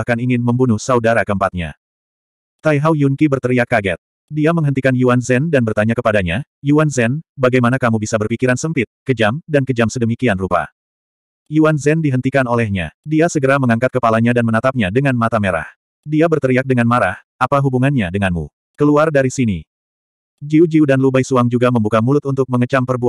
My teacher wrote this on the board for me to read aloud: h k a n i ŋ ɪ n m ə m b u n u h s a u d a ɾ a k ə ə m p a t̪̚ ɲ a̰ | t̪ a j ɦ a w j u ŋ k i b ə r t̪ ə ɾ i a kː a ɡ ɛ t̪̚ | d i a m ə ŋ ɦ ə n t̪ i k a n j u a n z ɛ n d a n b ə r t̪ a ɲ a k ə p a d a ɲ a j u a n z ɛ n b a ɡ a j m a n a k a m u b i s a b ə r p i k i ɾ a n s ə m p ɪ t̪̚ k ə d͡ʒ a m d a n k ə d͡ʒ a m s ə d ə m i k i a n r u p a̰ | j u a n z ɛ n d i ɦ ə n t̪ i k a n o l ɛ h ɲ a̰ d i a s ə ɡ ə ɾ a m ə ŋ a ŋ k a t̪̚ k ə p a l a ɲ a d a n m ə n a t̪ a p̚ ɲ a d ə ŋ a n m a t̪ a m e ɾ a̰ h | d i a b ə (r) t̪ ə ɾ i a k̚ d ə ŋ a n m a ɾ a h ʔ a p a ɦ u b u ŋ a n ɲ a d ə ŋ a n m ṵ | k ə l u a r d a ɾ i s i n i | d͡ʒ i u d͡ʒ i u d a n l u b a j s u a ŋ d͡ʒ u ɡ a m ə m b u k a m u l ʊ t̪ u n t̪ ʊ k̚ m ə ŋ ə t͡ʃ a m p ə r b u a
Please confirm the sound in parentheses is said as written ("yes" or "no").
yes